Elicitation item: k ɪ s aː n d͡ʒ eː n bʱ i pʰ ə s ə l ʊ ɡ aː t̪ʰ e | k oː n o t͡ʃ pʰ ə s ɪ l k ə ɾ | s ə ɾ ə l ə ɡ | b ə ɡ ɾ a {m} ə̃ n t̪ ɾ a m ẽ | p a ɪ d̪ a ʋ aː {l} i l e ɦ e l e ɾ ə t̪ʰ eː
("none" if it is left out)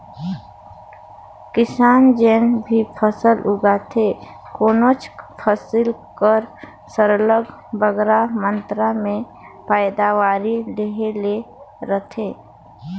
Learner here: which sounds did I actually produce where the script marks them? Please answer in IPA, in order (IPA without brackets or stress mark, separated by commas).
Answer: m, ɾ